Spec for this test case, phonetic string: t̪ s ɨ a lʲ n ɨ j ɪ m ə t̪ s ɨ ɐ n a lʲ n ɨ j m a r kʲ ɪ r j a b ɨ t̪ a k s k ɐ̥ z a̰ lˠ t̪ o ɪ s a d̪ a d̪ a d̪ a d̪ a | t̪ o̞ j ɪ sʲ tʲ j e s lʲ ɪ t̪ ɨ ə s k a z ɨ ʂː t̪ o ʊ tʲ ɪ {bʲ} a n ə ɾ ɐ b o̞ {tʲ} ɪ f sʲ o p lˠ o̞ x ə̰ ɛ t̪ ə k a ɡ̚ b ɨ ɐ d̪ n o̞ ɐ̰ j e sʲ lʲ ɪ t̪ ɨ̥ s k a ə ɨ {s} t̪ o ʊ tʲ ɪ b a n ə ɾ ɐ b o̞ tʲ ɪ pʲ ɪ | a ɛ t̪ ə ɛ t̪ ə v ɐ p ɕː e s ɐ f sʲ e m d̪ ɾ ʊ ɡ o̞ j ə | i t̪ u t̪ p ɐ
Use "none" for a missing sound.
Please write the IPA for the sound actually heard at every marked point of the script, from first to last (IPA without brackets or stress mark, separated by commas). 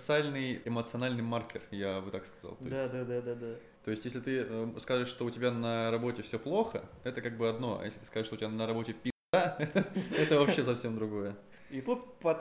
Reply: bʲ, tʲ, ʂ